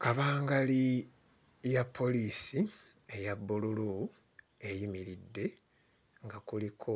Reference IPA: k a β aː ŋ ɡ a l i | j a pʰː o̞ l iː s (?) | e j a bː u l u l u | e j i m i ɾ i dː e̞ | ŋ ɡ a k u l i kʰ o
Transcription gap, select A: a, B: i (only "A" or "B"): B